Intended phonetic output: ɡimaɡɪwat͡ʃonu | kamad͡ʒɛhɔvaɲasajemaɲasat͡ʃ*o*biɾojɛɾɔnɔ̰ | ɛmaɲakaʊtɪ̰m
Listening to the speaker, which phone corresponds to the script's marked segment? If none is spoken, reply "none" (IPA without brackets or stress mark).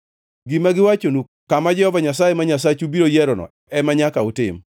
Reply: u